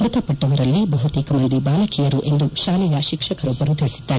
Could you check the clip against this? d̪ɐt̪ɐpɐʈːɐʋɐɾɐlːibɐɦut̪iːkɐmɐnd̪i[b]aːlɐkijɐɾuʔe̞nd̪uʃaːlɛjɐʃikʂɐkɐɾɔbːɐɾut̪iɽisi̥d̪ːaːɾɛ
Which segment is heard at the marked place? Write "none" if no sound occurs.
b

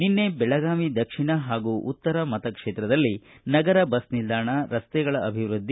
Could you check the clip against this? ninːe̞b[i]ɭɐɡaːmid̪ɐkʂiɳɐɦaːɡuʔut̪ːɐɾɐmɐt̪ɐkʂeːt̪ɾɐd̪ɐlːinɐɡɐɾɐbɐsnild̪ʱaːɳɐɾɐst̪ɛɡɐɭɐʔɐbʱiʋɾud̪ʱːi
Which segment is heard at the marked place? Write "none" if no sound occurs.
ɛ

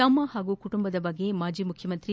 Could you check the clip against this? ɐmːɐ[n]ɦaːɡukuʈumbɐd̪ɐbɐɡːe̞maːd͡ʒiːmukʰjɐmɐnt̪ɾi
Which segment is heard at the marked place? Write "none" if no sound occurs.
none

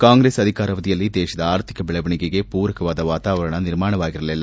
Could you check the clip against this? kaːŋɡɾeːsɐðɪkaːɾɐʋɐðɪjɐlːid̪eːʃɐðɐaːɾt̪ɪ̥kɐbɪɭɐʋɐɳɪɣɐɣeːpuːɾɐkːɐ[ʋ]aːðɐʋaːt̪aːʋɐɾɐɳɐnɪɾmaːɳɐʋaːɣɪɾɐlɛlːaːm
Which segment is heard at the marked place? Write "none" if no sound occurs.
ʋ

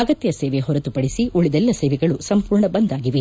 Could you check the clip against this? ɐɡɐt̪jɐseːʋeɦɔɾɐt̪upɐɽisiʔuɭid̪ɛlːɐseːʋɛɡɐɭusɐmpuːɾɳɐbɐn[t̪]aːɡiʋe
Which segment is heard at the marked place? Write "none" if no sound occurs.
d̪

